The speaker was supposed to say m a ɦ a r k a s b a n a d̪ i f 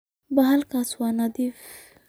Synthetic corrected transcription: b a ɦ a l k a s w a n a d̪ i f